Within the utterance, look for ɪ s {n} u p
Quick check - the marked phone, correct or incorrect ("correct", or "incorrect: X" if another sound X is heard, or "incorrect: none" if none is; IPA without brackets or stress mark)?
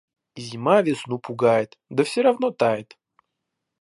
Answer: correct